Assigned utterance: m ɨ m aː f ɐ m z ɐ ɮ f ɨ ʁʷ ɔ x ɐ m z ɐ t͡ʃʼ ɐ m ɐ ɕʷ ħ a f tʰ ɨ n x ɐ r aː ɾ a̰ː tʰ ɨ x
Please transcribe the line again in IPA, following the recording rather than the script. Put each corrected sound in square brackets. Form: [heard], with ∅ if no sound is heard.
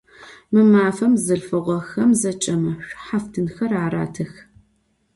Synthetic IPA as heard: m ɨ m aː f ɐ m z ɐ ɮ f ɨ ʁʷ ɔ x ɐ m z ɐ t͡ʃʼ ɐ m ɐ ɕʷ ħ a f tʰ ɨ n x ɐ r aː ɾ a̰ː tʰ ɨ x

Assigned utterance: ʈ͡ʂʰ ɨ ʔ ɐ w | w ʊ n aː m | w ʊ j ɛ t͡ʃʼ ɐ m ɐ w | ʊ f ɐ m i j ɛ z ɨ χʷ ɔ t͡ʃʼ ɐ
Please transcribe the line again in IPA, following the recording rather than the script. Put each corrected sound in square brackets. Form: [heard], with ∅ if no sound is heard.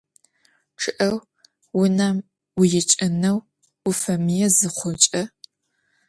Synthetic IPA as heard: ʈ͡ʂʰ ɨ ʔ ɐ w | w ʊ n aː m | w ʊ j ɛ t͡ʃʼ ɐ [n] ɐ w | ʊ f ɐ m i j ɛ z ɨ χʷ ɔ t͡ʃʼ ɐ

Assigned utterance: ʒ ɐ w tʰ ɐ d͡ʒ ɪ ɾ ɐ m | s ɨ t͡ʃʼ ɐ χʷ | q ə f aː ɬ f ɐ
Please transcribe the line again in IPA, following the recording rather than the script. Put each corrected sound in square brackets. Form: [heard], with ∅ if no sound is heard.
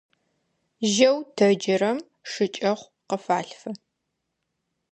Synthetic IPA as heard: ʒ ɐ w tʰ ɐ d͡ʒ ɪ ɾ ɐ m | [ʂ] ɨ t͡ʃʼ ɐ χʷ | q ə f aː ɬ f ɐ

